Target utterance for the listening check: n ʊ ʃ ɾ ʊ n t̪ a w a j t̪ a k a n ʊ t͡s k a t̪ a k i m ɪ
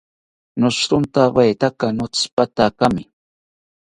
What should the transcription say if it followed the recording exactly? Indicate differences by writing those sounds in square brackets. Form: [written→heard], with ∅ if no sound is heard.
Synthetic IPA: n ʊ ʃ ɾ ʊ n t̪ a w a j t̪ a k a n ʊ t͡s [k→p] a t̪ a k [i→a] m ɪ